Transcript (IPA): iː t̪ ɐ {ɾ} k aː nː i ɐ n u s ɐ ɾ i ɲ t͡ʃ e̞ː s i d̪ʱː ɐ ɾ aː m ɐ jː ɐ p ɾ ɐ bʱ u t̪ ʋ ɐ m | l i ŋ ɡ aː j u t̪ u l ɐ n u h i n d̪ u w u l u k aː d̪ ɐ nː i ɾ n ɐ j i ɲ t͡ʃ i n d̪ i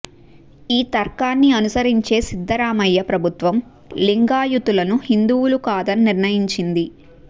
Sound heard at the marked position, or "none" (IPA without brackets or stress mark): ɾ